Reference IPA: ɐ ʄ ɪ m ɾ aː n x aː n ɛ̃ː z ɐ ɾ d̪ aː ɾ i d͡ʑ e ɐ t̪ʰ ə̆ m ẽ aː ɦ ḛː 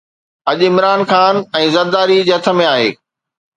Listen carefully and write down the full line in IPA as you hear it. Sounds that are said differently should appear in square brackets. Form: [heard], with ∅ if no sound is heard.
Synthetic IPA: ɐ ʄ ɪ m ɾ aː n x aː n ɛ̃ː z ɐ ɾ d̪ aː ɾ i d͡ʑ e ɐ t̪ʰ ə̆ m ẽ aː ɦ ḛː